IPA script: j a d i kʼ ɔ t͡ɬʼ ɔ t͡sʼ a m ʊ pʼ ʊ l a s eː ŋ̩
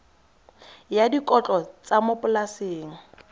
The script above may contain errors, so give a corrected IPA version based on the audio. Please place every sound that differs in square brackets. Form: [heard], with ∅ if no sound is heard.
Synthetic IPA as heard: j a d i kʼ ɔ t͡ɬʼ ɔ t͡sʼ a m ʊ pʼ ʊ l a s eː ŋ̩